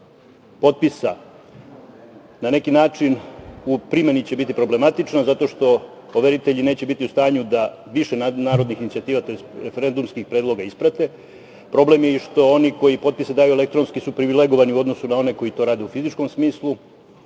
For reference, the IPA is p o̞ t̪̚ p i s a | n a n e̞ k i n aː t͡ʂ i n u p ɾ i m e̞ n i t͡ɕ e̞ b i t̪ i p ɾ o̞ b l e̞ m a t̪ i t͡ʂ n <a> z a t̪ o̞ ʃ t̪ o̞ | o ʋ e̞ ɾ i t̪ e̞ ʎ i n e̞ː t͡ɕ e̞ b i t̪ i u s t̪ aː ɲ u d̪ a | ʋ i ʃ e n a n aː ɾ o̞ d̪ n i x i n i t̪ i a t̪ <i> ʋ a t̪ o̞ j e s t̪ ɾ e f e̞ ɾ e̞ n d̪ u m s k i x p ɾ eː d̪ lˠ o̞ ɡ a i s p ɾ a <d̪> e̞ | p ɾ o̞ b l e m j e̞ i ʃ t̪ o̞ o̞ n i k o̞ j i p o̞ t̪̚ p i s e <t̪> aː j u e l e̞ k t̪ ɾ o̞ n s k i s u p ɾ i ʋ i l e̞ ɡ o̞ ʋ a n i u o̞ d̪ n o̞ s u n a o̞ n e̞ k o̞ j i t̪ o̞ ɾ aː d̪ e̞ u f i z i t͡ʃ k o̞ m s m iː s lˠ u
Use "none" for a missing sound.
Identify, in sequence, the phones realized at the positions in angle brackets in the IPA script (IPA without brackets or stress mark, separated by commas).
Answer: a, iː, t̪, d̪